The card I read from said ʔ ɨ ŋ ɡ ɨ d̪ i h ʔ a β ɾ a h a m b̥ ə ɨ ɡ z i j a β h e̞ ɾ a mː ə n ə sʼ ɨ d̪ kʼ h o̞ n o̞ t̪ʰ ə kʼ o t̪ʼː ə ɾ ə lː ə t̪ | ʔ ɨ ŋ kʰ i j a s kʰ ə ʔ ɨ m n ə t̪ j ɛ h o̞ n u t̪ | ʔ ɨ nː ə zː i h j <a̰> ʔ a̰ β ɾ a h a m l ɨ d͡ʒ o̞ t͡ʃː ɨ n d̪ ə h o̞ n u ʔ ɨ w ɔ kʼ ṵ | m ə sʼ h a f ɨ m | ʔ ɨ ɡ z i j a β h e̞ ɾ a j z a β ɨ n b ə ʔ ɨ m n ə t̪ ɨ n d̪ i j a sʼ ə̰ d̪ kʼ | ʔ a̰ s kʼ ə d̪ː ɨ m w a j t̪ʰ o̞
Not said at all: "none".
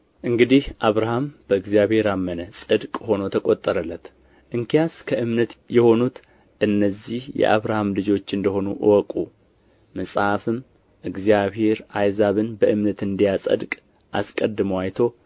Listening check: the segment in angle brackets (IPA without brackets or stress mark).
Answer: ɛ̰